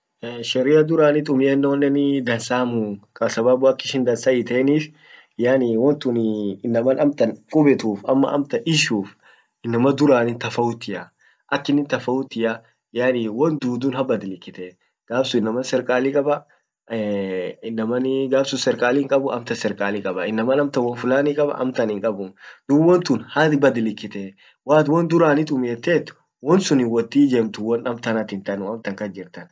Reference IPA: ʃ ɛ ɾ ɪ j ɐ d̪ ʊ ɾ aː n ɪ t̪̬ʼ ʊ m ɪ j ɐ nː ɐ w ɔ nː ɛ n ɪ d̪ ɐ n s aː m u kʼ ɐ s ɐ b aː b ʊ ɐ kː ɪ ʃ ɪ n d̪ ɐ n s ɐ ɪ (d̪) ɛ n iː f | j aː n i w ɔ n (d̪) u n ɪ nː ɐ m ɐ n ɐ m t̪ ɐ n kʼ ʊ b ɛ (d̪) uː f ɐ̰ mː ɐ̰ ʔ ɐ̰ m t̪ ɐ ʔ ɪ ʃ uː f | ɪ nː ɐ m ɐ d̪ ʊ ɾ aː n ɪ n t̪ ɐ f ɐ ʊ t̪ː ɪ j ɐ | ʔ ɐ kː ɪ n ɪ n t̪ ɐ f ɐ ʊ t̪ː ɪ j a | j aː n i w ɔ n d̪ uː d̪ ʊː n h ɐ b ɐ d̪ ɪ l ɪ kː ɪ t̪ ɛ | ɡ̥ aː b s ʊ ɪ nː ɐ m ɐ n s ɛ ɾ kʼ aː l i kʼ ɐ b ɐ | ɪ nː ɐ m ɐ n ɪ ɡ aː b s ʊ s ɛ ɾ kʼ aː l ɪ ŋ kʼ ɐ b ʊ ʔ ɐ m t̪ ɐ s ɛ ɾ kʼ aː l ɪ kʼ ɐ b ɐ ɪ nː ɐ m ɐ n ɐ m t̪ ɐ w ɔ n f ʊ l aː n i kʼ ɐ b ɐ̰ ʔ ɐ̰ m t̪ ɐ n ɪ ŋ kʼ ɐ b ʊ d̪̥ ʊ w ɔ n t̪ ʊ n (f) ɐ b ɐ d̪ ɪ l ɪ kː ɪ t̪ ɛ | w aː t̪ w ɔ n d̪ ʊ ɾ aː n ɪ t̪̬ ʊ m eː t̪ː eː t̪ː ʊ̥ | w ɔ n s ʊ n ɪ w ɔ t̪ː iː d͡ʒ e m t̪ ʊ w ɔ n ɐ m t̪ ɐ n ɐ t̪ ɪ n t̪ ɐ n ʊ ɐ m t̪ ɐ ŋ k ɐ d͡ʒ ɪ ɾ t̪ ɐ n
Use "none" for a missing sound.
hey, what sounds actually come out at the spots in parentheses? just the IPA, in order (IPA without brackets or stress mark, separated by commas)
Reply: t̪, t̪, t̪, h